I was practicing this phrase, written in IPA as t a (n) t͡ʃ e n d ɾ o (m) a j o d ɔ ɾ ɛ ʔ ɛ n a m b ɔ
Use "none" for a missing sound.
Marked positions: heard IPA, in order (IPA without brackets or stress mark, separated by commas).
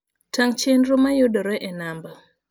ŋ, m